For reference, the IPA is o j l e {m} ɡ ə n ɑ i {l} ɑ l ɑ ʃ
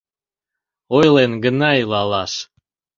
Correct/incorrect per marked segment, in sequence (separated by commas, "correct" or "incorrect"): incorrect, correct